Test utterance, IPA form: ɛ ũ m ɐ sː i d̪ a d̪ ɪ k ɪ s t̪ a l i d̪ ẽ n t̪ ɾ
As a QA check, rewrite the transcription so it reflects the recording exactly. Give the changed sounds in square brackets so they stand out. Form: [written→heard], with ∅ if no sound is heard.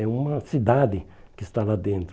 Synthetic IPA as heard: ɛ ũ m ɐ [sː→s] i d̪ a d̪ ɪ k ɪ s t̪ a l [i→a] d̪ ẽ n t̪ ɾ